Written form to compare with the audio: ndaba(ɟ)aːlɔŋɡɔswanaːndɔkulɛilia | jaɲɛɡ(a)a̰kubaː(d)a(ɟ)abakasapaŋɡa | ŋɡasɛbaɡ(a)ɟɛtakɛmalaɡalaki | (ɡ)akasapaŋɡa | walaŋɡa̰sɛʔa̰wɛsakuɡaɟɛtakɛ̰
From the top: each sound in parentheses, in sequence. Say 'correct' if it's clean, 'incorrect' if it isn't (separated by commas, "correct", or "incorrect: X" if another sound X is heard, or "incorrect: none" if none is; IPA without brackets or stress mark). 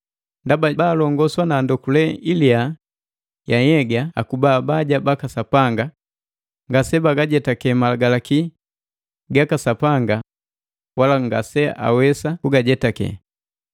incorrect: b, correct, incorrect: b, correct, correct, correct